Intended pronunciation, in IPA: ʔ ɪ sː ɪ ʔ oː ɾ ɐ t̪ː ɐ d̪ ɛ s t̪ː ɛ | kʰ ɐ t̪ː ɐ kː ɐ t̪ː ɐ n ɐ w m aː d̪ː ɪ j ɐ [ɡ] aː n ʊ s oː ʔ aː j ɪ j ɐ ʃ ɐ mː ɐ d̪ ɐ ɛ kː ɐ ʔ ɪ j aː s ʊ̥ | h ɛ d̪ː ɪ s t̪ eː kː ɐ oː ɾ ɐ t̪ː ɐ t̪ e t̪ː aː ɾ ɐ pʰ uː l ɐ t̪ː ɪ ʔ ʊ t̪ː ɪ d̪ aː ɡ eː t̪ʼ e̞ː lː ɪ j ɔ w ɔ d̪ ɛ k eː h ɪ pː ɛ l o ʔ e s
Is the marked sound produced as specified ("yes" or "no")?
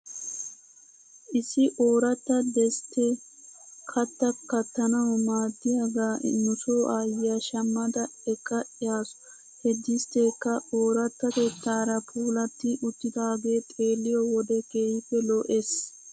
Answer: yes